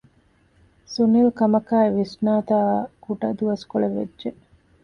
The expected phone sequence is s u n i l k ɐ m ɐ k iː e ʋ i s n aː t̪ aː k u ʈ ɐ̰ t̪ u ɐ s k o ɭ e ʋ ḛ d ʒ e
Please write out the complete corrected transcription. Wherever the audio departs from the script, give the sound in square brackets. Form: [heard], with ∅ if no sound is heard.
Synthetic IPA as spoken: s u n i l k ɐ m ɐ k [aː] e ʋ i s n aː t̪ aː k u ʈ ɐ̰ [d̪] u ɐ s k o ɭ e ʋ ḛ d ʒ e